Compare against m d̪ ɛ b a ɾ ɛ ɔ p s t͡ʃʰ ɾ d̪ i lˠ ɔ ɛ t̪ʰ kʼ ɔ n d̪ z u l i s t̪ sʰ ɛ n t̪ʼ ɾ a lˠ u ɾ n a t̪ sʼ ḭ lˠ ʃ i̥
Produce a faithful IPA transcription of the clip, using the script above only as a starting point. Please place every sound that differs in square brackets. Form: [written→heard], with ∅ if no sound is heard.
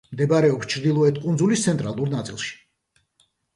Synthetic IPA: m d̪ ɛ b a ɾ ɛ ɔ p s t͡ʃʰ ɾ d̪ i lˠ ɔ ɛ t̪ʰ kʼ [ɔ→u] n d̪ z u l i s t̪ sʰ ɛ n t̪ʼ ɾ a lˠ u ɾ n a t̪ sʼ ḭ lˠ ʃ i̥